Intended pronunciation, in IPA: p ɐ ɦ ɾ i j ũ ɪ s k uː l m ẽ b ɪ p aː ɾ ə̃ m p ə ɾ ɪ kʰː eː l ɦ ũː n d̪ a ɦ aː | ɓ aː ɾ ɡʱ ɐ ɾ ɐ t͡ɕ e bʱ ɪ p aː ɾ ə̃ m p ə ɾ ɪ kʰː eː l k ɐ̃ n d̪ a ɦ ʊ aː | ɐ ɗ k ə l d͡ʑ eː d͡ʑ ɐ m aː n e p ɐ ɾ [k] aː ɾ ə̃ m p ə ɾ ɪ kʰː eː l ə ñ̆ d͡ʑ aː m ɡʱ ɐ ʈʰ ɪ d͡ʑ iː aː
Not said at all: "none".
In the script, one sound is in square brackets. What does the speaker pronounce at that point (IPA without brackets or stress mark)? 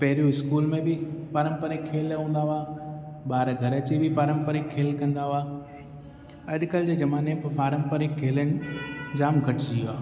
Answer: p